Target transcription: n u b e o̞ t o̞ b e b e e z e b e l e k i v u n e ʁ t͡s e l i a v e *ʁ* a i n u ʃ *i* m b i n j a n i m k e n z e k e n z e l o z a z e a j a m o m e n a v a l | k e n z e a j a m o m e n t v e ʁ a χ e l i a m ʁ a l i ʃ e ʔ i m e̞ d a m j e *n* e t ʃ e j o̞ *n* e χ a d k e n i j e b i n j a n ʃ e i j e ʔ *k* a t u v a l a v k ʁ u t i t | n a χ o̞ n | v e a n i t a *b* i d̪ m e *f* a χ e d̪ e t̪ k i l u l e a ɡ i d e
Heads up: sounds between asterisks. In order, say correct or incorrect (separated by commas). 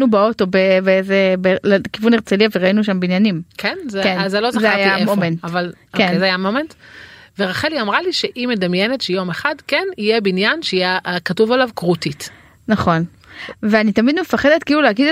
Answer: correct, incorrect, correct, incorrect, correct, incorrect, correct